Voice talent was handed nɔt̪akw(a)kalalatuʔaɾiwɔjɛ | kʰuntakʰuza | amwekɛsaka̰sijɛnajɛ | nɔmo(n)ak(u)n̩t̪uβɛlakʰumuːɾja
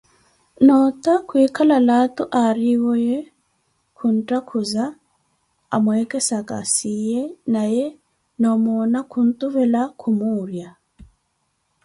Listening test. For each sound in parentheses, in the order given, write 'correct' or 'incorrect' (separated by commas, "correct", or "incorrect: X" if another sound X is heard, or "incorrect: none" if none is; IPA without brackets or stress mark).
incorrect: i, correct, correct